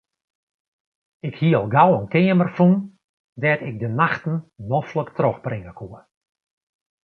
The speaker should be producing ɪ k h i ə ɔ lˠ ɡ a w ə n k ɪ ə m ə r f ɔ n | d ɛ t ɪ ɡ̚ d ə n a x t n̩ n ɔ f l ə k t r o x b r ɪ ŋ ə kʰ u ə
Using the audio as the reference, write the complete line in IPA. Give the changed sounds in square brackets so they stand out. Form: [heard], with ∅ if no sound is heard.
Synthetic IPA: ɪ k h i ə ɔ lˠ ɡ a w ə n k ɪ ə m ə r f [u] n | d ɛ t ɪ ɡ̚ d ə n a x t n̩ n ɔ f l ə k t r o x b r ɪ ŋ ə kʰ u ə